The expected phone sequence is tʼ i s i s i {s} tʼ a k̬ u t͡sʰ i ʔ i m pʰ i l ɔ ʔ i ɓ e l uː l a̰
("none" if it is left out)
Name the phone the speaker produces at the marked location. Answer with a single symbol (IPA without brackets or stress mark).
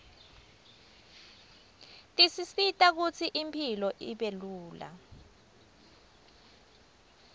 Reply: none